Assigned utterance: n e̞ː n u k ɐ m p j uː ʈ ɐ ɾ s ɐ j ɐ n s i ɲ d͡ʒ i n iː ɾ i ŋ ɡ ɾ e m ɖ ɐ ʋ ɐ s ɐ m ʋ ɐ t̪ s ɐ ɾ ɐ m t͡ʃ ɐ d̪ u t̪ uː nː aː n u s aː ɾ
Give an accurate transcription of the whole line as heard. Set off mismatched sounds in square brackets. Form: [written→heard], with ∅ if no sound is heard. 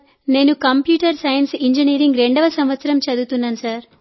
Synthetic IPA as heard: n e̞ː n u k ɐ m p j uː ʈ ɐ ɾ s ɐ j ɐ n s i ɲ d͡ʒ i n iː ɾ i ŋ ɡ ɾ e [m→ɳ] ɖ ɐ ʋ ɐ s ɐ m ʋ ɐ t̪ s ɐ ɾ ɐ m t͡ʃ ɐ d̪ u t̪ [uː→u] nː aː n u s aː ɾ